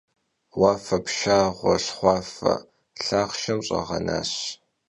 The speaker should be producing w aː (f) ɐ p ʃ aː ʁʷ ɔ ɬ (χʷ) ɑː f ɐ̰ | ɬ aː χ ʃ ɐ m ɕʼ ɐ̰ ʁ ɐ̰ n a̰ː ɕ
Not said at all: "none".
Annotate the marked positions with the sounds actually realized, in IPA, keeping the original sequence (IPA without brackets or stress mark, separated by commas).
f, χʷ